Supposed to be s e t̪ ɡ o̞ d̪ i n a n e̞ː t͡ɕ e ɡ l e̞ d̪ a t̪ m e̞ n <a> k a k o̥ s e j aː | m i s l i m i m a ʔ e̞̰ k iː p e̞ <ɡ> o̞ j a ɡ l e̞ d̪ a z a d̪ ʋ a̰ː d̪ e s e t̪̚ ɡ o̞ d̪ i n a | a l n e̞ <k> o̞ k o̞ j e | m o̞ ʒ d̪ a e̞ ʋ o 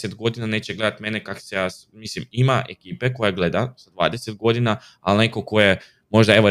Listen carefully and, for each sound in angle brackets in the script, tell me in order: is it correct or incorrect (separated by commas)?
incorrect, incorrect, correct